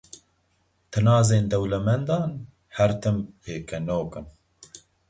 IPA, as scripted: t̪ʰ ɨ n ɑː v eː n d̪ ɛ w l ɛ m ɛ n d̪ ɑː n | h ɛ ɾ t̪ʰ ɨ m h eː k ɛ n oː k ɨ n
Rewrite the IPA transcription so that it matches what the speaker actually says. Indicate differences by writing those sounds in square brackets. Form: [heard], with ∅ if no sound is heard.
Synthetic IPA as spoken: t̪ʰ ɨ n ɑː [z] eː n d̪ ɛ w l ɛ m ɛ n d̪ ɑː n | h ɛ ɾ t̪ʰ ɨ m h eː k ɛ n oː k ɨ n